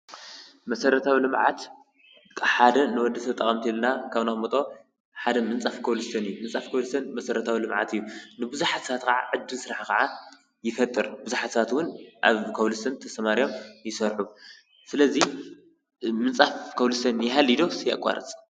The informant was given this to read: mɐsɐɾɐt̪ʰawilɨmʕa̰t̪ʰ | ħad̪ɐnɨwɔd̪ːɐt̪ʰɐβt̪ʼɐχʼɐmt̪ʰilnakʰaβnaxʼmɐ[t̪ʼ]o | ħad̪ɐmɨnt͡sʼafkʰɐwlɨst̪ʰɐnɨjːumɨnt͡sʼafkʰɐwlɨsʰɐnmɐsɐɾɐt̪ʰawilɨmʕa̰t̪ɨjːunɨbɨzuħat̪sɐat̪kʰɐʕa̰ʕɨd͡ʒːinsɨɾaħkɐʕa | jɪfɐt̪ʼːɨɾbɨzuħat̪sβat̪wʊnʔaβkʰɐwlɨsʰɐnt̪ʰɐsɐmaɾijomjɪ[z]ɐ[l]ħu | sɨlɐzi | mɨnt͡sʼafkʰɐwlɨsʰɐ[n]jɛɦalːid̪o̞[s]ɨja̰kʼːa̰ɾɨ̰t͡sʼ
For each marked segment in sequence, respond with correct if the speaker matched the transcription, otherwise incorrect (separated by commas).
correct, incorrect, incorrect, correct, correct